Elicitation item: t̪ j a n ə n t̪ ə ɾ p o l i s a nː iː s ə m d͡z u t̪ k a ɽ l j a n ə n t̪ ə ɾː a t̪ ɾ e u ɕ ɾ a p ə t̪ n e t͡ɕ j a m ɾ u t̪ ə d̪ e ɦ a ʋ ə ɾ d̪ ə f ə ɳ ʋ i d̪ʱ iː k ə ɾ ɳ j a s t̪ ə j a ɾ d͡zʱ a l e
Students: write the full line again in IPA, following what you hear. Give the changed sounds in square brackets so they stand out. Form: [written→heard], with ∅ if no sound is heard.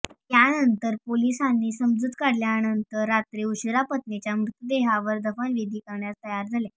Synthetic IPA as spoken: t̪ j a n ə n t̪ ə ɾ p o l i s a nː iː s ə m d͡z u t̪ k a ɽ l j a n ə n t̪ ə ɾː a t̪ ɾ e u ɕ ɾ a p ə t̪ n e t͡ɕ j a m ɾ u t̪ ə d̪ e ɦ a ʋ ə ɾ d̪ ə f ə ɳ ʋ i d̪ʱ iː k ə ɾ ɳ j a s t̪ ə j a ɾ d͡zʱ a l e